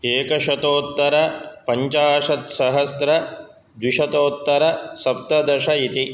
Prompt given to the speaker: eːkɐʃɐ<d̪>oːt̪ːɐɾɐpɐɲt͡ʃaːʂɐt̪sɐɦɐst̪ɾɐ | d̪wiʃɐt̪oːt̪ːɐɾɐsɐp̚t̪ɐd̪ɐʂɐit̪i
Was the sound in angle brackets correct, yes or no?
no